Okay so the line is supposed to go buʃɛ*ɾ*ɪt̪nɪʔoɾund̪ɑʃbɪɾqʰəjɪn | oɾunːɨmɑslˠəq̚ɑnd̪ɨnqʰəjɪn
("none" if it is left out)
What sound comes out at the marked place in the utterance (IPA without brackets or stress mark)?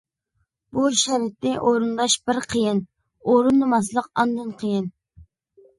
ɾ